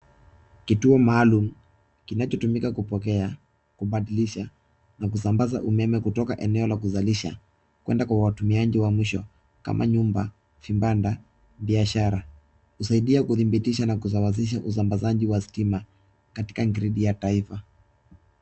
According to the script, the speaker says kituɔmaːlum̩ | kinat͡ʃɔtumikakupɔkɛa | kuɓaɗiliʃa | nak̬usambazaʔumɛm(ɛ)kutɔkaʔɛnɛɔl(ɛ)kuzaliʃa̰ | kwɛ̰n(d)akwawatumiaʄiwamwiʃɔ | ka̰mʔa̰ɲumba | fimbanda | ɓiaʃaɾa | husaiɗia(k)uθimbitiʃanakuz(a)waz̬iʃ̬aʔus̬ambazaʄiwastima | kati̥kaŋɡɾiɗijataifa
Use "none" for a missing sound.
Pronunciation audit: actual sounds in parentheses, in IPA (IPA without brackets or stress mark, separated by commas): ɛ, a, d, k, a